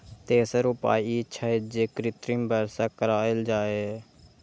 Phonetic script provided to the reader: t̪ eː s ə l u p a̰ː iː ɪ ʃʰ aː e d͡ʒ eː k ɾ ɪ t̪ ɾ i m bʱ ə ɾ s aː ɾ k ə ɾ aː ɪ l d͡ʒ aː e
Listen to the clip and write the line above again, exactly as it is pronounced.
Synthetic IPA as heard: t̪ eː s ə ɾ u p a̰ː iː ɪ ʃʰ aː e d͡ʒ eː k ɾ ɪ t̪ ɾ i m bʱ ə ɾ s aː k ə ɾ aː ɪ l d͡ʒ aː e